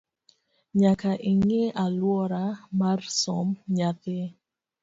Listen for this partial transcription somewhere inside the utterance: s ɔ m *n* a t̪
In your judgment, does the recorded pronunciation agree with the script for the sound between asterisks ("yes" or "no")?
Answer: no